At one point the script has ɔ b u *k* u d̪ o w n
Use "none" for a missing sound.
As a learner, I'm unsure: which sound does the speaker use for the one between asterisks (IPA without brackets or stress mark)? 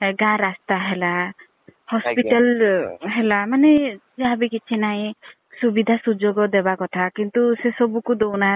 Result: k